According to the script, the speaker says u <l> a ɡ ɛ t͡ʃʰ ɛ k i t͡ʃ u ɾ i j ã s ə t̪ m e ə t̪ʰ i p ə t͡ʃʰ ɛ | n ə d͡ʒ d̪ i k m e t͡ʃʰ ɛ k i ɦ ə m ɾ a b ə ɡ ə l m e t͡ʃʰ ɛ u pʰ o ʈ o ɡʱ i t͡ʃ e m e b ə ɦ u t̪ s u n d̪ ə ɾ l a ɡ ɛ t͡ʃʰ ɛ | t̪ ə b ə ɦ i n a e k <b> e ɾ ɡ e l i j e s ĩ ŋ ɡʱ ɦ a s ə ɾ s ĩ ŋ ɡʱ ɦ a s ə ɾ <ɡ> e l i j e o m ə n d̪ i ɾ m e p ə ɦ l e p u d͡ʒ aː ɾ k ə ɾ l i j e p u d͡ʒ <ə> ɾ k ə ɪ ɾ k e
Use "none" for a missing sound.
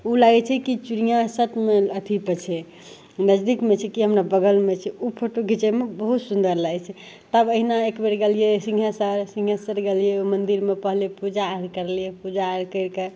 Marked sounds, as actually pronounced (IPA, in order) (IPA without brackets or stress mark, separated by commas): l, b, ɡ, a